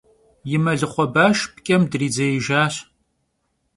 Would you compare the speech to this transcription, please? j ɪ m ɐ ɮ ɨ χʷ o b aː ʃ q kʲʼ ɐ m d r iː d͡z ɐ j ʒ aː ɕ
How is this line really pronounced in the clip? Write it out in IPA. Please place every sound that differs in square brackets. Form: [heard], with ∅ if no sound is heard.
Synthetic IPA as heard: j ɪ m ɐ ɮ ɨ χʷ [ɔ] b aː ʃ [p] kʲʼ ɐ m d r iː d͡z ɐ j ʒ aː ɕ